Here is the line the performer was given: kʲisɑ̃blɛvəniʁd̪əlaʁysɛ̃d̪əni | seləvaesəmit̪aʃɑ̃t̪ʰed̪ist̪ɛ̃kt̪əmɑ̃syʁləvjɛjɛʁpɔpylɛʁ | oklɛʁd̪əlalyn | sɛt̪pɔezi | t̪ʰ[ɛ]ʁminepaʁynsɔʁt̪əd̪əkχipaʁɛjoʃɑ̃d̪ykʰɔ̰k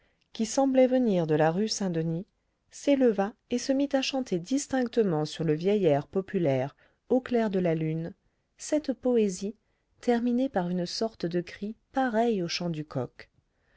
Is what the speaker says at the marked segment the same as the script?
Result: yes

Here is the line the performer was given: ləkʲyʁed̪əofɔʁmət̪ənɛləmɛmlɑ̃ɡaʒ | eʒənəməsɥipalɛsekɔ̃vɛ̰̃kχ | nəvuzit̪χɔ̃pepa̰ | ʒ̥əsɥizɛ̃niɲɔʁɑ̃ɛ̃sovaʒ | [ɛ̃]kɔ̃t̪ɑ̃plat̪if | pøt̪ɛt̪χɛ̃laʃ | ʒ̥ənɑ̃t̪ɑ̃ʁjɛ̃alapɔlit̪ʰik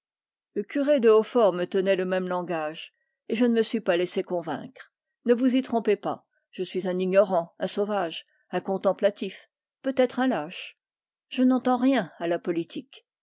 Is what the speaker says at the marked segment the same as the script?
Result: yes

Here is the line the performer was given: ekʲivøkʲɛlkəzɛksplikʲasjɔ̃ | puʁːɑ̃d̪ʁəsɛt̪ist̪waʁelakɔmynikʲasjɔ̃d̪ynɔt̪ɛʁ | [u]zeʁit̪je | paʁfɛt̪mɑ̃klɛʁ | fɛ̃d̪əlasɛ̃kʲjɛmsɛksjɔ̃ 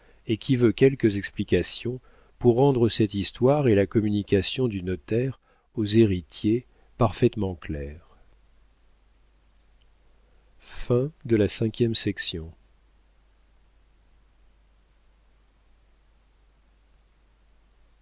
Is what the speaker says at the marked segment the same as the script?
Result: no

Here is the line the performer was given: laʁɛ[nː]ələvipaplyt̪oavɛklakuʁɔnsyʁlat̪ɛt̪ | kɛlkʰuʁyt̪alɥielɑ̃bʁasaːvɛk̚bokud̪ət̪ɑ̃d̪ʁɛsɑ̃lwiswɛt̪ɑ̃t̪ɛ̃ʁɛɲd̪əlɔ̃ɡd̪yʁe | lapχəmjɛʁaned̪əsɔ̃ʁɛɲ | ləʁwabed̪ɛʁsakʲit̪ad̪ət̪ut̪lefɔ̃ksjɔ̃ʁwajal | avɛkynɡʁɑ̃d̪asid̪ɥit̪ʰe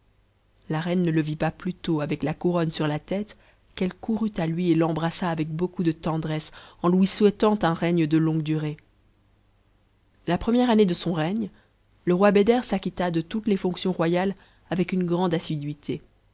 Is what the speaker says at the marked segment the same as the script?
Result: yes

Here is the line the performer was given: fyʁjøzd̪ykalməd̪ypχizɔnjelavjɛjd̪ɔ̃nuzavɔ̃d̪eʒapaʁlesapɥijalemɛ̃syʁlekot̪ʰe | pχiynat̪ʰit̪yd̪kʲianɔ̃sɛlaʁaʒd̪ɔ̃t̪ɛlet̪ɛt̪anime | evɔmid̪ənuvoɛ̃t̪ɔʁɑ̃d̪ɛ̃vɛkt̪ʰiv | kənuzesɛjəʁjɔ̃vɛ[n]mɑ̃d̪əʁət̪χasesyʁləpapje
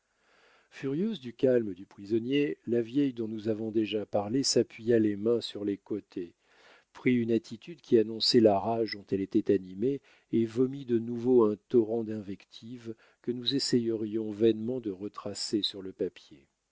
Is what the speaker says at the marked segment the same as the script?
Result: yes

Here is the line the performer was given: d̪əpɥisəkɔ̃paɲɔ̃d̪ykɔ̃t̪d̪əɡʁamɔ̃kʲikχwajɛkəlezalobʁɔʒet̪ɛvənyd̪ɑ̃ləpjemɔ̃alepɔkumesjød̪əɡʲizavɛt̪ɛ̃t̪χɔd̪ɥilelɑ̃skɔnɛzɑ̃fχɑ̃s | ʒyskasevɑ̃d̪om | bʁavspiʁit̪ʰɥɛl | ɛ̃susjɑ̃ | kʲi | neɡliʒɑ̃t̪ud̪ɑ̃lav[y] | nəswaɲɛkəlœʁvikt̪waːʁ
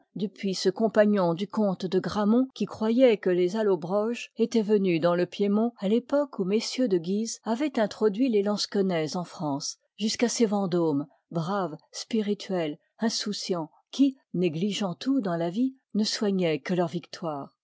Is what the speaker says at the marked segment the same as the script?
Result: no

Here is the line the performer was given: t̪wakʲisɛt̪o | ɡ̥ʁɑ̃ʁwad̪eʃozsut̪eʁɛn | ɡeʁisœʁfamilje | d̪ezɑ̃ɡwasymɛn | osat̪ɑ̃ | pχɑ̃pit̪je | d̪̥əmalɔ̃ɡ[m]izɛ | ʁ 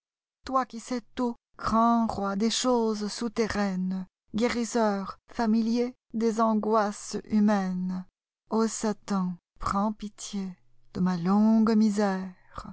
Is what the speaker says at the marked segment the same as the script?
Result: yes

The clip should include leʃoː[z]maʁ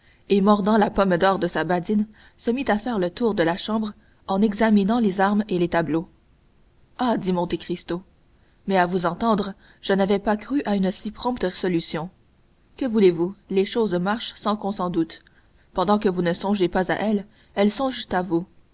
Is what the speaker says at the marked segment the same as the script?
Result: yes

